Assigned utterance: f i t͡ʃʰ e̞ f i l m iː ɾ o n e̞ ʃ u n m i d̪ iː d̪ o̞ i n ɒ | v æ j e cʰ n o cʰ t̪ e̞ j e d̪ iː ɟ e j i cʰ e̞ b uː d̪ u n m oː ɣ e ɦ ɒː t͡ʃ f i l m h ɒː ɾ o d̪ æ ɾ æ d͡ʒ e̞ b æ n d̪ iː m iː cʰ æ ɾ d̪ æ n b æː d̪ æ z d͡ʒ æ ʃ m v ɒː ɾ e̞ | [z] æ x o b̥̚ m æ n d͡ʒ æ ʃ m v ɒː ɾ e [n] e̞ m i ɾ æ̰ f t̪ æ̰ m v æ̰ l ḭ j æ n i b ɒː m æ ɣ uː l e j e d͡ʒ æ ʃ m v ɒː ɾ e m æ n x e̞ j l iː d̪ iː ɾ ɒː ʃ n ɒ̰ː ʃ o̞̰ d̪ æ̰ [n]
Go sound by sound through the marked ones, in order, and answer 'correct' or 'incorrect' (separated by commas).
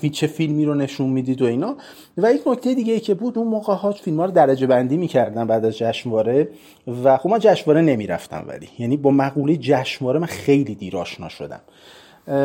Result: incorrect, correct, incorrect